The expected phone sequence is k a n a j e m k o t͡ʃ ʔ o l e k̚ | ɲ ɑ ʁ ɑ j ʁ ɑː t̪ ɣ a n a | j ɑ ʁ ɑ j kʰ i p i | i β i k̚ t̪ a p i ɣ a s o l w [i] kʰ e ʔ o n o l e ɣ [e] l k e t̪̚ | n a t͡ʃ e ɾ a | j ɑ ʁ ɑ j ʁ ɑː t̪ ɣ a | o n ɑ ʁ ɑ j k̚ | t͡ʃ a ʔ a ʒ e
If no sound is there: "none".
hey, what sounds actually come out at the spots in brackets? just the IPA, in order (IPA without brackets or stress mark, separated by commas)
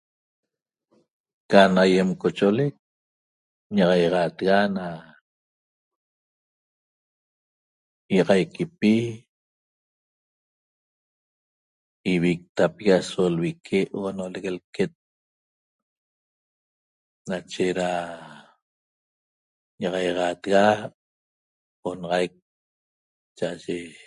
i, e